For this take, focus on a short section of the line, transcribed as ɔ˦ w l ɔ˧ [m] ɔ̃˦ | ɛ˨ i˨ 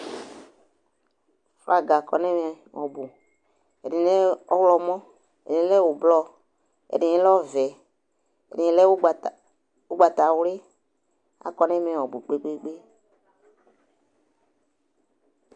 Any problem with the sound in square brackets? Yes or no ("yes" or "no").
no